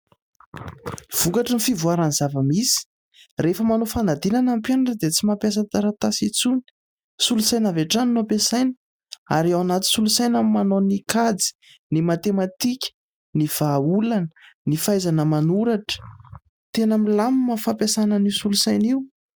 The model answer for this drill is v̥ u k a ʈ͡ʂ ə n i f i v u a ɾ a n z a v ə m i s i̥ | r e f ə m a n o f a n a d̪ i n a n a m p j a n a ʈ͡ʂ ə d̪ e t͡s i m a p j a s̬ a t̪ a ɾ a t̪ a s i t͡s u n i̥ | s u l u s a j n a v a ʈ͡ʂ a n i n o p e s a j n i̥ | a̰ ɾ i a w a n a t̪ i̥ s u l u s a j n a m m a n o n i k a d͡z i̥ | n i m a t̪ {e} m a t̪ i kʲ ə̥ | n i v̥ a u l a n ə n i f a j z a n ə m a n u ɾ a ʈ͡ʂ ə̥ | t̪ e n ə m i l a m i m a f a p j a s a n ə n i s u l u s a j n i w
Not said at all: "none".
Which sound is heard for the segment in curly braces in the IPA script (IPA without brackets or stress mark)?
e